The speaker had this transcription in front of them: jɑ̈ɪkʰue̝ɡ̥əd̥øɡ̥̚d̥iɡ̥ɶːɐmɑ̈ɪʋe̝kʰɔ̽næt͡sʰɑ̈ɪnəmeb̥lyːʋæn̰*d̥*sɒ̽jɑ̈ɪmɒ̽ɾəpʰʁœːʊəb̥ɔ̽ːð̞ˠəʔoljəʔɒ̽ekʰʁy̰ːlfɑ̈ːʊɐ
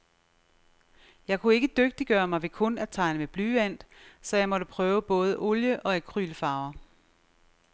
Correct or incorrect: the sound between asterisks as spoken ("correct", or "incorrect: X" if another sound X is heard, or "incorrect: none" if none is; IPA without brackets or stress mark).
correct